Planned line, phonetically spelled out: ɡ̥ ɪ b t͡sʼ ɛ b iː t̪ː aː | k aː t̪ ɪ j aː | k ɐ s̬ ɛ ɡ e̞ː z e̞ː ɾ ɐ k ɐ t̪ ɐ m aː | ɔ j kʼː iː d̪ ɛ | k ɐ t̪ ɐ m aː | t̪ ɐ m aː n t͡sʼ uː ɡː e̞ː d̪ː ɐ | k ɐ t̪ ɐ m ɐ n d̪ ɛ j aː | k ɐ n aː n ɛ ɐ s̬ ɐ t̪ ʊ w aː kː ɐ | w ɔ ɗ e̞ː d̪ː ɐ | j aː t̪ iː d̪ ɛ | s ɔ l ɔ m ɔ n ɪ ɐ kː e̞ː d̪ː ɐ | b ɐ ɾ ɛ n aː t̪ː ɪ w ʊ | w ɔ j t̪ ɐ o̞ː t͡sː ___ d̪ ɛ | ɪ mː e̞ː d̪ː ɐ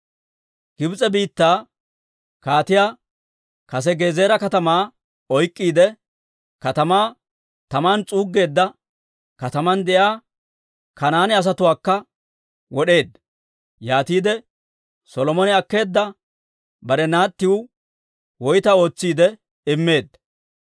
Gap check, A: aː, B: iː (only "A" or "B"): B